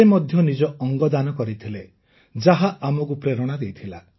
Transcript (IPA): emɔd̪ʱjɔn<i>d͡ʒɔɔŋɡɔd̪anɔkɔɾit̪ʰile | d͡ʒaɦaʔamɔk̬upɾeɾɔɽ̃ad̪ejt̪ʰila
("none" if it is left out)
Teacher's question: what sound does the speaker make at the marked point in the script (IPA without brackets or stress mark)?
i